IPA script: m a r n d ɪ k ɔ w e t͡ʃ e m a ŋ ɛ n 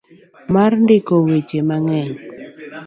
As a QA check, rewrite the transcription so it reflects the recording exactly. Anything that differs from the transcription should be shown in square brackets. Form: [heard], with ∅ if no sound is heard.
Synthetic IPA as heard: m a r n d ɪ k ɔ w e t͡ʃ e m a ŋ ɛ [ɲ]

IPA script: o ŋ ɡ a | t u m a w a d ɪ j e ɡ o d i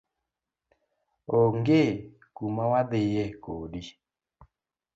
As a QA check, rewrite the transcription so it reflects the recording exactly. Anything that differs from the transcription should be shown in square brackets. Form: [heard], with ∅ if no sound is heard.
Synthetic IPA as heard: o ŋ ɡ [e] | [k] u m a w a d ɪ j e [k] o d i

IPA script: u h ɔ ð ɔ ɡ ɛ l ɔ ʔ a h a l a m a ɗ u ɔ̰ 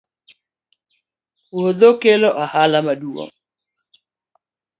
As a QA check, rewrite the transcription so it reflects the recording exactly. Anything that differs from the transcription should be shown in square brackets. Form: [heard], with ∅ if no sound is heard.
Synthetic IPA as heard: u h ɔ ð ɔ [k] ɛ l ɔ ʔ a h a l a m a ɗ u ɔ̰

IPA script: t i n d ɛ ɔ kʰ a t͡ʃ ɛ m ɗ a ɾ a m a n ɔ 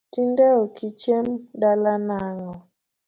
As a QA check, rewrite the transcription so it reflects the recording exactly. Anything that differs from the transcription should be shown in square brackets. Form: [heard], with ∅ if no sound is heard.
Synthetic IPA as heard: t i n d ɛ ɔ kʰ [i] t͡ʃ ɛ m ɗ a [l] a [n] a [ŋ] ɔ

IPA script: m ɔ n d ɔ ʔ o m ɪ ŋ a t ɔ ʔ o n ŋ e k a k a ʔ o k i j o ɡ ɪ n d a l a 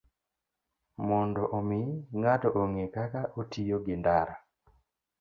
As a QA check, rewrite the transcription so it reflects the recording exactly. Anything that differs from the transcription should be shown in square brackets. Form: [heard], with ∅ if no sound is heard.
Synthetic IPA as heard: m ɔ n d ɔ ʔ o m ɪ ŋ a t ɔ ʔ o [∅] ŋ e k a k a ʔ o [t] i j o ɡ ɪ n d a [ɾ] a

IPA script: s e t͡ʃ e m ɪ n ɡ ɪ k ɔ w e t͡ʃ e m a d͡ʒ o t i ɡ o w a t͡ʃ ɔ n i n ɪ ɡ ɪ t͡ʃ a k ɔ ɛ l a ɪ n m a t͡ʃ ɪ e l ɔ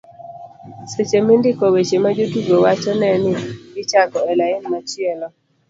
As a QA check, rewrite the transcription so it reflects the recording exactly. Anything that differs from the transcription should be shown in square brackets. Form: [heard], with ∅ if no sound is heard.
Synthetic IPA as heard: s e t͡ʃ e m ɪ n [d] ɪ k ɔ w e t͡ʃ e m a d͡ʒ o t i ɡ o w a t͡ʃ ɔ n [ɛ] n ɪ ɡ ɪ t͡ʃ a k ɔ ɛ l a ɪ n m a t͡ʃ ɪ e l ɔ

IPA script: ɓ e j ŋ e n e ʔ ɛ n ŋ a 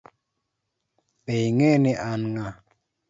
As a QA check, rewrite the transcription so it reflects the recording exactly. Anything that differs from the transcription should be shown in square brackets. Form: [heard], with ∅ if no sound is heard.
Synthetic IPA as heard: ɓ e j ŋ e n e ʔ [a] n ŋ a

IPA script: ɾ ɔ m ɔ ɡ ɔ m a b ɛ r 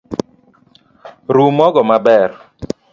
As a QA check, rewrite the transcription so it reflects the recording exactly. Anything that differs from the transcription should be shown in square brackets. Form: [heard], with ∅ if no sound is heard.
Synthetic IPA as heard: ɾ [u] m ɔ ɡ ɔ m a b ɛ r

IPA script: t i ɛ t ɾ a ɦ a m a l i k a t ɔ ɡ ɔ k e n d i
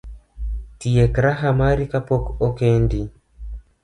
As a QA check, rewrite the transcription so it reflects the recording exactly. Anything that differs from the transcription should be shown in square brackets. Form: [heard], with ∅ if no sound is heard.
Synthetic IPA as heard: t i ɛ [k] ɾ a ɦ a m a [ɾ] i k a [p] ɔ [k] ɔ k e n d i

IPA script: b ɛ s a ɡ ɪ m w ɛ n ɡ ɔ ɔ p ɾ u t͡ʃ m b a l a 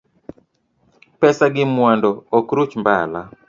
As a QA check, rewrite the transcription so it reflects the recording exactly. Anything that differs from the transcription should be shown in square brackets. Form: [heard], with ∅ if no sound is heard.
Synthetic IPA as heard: [p] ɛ s a ɡ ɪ m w [a] n [d] ɔ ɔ [k] ɾ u t͡ʃ m b a l a

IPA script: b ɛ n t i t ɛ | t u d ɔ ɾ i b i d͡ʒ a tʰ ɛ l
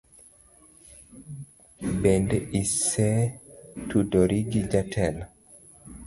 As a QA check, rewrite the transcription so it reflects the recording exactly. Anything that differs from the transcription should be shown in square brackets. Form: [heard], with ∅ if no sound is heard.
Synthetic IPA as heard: b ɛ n [d] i [s] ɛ | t u d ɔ ɾ i [ɡ] i d͡ʒ a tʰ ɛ l

